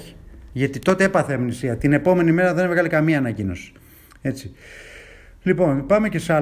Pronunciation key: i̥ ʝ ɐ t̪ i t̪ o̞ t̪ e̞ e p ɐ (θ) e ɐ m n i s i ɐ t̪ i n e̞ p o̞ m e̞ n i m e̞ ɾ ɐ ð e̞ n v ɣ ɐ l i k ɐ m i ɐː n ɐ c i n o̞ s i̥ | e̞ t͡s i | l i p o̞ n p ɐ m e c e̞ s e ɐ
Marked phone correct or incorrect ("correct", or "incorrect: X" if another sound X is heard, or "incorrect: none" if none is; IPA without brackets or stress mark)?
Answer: correct